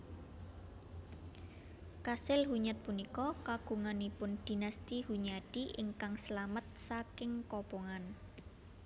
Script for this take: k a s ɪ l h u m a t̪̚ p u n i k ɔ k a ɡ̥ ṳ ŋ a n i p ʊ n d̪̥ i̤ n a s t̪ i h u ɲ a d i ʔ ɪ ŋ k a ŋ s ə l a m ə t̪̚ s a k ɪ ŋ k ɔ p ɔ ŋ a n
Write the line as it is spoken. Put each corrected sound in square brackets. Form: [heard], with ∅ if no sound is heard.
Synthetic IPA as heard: k a s ɪ l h u [ɲ] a t̪̚ p u n i k ɔ k a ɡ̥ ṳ ŋ a n i p ʊ n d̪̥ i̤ n a s t̪ i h u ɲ a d i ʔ ɪ ŋ k a ŋ s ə l a m ə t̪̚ s a k ɪ ŋ k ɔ p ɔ ŋ a n